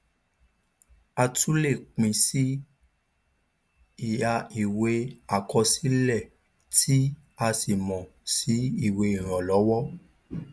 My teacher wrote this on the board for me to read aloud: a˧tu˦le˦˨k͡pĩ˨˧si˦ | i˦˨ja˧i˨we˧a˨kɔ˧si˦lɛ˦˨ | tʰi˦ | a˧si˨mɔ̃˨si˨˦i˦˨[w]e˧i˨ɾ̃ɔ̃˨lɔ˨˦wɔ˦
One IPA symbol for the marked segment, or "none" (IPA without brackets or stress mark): w